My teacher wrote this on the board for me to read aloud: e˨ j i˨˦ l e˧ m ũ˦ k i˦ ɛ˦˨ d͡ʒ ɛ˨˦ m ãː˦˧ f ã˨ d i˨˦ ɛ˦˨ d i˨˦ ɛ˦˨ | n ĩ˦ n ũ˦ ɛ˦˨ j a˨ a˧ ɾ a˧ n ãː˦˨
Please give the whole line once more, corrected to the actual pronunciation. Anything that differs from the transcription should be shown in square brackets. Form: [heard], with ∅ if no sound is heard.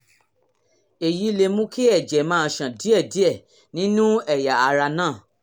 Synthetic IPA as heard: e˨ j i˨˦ l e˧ m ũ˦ k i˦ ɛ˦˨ d͡ʒ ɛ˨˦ m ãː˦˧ [ʃ] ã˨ d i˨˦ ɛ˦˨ d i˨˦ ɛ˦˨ | n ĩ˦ n ũ˦ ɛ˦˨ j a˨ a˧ ɾ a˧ n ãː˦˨